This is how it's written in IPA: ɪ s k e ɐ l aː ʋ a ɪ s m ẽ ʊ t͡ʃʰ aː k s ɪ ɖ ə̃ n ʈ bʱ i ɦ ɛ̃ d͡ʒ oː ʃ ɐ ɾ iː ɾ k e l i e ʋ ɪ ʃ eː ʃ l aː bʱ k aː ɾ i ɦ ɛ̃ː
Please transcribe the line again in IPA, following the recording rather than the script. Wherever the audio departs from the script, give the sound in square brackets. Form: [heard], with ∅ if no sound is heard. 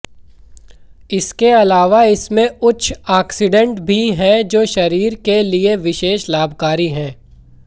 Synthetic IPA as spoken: ɪ s k e ɐ l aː ʋ a ɪ s m ẽ ʊ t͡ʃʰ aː k s ɪ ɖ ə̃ [ɳ] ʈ bʱ i ɦ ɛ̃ d͡ʒ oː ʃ ɐ ɾ iː ɾ k e l i e ʋ ɪ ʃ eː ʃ l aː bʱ k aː ɾ i ɦ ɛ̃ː